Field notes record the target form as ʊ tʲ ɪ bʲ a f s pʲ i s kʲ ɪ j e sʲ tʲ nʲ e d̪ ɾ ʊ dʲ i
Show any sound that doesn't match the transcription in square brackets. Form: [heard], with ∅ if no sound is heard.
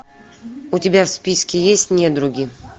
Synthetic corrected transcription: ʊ tʲ ɪ bʲ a f s pʲ i s kʲ ɪ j e sʲ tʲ nʲ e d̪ ɾ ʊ [ɡʲ] i